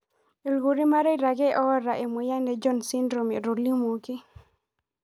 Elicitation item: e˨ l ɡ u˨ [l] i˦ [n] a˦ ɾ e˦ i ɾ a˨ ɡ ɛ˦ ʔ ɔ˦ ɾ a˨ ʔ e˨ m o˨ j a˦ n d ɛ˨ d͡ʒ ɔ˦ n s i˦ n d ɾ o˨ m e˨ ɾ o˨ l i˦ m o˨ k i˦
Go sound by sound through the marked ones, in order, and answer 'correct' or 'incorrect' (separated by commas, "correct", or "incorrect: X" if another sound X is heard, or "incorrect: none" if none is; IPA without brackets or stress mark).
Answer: incorrect: ɾ, incorrect: m